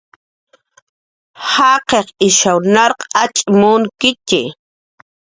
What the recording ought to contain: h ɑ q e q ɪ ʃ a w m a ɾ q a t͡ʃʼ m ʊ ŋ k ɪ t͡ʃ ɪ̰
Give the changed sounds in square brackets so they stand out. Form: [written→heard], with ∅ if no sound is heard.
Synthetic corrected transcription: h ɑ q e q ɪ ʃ a w [m→n] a ɾ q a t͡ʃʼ m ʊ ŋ k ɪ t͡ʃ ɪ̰